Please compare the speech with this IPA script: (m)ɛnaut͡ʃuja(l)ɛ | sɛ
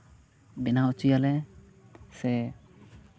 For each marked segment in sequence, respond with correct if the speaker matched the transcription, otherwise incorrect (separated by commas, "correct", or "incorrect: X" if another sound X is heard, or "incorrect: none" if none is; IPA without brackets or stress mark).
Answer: incorrect: b, correct